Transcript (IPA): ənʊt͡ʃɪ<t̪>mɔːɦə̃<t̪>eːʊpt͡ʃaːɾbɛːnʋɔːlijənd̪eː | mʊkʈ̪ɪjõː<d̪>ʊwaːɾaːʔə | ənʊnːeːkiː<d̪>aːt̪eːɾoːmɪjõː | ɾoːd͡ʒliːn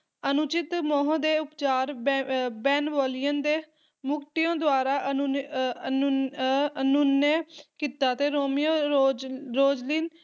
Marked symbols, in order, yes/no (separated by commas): yes, no, yes, no